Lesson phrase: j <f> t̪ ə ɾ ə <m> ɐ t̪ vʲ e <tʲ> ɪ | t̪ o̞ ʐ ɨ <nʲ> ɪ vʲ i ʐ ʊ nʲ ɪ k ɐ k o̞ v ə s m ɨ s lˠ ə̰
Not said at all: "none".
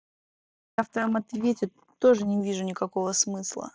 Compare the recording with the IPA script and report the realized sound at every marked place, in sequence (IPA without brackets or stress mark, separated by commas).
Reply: f, m, tʲ, nʲ